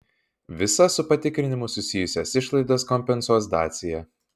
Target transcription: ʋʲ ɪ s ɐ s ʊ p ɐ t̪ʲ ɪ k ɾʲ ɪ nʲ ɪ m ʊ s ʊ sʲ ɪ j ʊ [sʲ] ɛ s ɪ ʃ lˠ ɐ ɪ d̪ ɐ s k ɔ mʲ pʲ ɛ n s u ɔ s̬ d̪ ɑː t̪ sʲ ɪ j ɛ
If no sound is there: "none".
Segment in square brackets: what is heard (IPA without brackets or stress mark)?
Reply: sʲ